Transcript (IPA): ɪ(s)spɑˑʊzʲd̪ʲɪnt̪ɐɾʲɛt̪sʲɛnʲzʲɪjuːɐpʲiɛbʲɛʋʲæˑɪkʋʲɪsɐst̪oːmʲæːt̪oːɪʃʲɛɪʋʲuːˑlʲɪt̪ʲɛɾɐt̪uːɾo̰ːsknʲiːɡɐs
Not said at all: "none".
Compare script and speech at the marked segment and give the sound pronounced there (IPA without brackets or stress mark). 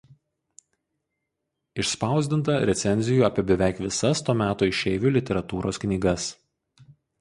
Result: ʃ